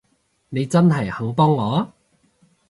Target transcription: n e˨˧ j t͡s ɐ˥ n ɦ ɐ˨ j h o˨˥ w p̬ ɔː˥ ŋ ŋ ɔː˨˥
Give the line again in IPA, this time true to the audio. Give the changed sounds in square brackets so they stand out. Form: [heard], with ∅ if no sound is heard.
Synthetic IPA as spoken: n e˨˧ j t͡s ɐ˥ n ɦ ɐ˨ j h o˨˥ w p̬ ɔː˥ ŋ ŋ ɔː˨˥